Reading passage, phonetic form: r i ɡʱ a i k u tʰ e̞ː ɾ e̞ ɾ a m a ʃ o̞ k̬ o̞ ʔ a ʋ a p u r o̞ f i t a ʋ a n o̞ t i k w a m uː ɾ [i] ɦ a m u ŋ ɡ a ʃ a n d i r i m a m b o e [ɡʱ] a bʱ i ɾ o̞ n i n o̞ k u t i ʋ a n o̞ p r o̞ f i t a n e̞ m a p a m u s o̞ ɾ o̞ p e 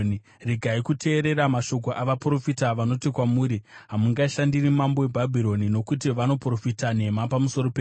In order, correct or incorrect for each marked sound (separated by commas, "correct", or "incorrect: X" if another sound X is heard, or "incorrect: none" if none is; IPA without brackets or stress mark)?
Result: correct, incorrect: bʱ